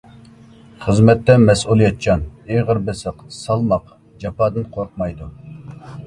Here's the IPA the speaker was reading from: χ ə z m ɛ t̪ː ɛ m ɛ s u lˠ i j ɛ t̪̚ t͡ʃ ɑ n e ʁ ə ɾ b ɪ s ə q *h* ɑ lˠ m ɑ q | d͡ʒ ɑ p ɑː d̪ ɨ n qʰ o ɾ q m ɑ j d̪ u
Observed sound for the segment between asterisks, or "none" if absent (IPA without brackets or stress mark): s